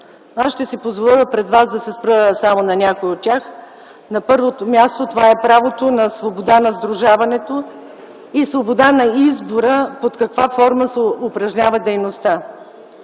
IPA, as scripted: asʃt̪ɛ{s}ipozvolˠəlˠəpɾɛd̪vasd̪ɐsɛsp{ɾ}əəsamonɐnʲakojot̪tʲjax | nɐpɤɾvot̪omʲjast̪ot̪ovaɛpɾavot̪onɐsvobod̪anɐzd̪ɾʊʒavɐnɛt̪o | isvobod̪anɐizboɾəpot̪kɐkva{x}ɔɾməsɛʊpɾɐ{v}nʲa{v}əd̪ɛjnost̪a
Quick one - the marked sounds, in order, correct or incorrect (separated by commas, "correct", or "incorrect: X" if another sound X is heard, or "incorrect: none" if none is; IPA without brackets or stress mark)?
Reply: correct, correct, incorrect: f, incorrect: ʒ, correct